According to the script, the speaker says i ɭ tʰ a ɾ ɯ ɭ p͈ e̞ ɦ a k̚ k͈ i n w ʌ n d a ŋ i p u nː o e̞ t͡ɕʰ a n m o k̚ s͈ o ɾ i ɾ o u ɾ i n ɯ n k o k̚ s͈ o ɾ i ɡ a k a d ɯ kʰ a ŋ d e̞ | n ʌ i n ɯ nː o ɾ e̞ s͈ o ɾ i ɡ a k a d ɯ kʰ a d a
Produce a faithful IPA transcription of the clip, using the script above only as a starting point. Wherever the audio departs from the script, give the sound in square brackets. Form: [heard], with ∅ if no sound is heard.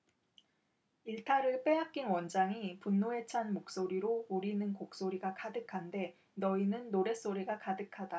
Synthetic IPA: i ɭ tʰ a ɾ ɯ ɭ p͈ e̞ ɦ a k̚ k͈ i n w ʌ n [d͡ʑ] a ŋ i p u nː o e̞ t͡ɕʰ a n m o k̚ s͈ o ɾ i ɾ o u ɾ i n ɯ n k o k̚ s͈ o ɾ i ɡ a k a d ɯ kʰ a [n] d e̞ | n ʌ i n ɯ nː o ɾ e̞ s͈ o ɾ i ɡ a k a d ɯ kʰ a d a